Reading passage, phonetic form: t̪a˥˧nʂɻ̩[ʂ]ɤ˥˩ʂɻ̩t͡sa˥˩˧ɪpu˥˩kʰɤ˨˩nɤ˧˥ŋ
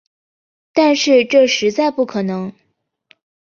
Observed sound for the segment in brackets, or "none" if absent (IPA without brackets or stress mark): ʈ͡ʂ